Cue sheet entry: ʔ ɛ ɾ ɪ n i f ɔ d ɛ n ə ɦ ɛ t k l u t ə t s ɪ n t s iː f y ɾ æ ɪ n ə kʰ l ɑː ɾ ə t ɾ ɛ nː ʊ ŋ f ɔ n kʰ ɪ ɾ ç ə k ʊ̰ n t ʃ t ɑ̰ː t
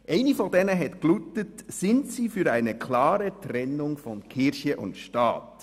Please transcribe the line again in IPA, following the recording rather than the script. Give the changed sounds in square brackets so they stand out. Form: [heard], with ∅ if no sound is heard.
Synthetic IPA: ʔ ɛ [∅] ɪ n i f ɔ d ɛ n ə ɦ ɛ t k l u t ə t s ɪ n t s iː f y ɾ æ ɪ n ə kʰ l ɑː ɾ ə t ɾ ɛ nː ʊ ŋ f ɔ n kʰ ɪ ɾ ç ə [ʔ] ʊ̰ n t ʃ t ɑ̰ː t